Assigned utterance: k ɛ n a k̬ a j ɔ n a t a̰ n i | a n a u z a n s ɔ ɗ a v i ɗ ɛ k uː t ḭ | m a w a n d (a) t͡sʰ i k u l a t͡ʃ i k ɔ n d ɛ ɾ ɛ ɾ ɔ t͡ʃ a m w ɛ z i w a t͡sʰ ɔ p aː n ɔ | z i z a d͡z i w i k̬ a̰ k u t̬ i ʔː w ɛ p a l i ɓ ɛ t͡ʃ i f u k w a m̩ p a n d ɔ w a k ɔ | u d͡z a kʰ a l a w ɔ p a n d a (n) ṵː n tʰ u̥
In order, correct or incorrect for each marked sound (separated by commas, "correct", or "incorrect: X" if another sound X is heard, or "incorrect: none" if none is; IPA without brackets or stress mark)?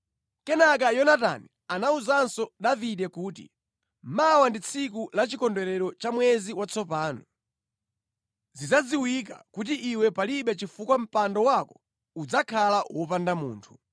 incorrect: i, incorrect: m